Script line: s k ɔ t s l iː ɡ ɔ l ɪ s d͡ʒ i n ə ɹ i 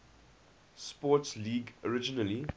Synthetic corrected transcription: s p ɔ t s l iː ɡ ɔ ɹ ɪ d͡ʒ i n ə l i